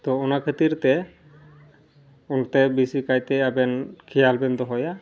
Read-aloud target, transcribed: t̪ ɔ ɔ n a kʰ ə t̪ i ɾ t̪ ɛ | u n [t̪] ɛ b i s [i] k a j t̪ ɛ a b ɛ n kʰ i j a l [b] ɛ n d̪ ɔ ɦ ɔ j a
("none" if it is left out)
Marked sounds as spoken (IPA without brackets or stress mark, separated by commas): t̪, i, b